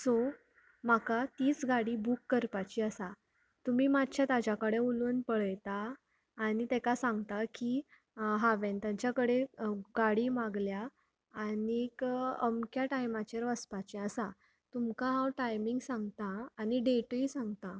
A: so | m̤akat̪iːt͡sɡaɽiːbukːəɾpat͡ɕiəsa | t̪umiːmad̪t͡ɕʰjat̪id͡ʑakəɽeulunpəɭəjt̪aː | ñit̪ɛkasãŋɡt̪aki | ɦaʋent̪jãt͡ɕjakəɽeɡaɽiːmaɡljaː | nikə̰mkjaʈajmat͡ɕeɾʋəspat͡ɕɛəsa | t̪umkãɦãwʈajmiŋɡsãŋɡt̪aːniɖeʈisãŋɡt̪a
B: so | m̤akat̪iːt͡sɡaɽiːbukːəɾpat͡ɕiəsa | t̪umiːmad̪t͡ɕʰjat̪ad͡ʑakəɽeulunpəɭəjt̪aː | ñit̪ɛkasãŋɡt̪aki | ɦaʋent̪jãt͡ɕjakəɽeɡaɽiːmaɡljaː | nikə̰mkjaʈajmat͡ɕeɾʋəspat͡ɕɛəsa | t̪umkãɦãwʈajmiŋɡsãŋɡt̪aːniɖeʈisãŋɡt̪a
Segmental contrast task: B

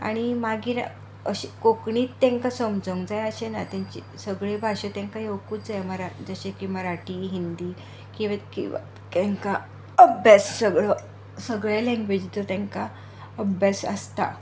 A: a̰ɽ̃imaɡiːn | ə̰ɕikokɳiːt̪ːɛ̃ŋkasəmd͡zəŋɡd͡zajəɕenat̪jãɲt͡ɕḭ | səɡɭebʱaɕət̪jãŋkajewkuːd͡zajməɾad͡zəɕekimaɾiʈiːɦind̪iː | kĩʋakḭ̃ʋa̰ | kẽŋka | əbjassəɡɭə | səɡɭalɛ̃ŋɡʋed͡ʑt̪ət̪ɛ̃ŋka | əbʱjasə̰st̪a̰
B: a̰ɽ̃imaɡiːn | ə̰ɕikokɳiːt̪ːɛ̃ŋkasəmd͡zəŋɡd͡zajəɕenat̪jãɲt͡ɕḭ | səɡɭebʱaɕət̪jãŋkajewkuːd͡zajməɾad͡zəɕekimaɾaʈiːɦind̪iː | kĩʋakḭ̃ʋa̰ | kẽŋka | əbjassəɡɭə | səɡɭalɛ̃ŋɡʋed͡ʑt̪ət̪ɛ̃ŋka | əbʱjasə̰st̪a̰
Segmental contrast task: B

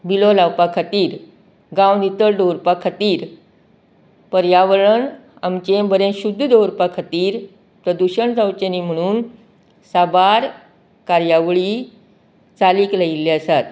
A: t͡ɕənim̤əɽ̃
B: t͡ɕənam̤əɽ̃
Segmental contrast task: A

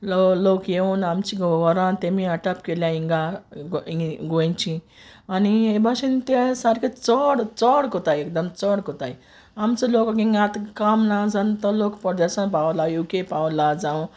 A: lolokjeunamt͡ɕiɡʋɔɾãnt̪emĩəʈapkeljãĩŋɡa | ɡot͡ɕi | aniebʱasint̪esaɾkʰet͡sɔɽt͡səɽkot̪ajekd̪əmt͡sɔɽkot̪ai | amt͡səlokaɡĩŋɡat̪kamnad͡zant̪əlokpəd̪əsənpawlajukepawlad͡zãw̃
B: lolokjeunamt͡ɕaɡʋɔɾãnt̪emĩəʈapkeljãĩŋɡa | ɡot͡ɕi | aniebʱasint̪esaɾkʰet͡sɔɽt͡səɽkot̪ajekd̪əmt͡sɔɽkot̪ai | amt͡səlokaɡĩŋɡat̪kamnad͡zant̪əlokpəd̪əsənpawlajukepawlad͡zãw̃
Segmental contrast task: A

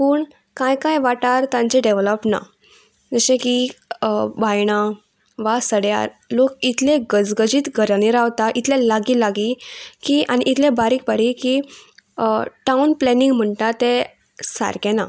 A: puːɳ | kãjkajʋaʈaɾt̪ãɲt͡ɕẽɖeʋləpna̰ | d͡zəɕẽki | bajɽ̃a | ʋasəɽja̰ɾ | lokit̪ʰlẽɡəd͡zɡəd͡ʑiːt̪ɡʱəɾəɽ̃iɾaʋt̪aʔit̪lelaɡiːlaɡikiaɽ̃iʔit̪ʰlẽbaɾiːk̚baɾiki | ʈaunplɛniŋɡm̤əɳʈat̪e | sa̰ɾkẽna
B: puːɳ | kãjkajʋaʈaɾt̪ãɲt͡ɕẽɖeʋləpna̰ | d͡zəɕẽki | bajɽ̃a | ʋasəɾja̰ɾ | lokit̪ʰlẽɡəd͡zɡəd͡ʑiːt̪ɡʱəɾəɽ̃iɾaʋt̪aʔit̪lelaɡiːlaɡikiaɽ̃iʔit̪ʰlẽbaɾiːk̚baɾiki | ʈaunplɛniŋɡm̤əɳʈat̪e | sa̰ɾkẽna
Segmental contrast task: A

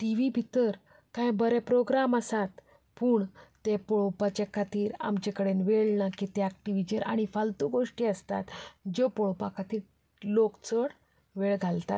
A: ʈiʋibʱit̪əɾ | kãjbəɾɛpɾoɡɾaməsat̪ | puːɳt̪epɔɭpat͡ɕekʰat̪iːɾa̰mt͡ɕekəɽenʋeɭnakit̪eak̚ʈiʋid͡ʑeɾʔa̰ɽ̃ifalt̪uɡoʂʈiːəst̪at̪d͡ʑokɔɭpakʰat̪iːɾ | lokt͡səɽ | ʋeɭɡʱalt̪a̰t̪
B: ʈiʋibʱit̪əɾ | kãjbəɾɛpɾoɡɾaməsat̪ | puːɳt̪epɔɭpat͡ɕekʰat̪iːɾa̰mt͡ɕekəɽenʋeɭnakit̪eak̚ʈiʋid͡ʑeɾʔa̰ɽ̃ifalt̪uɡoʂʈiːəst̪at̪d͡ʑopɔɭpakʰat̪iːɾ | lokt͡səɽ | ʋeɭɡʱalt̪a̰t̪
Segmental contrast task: B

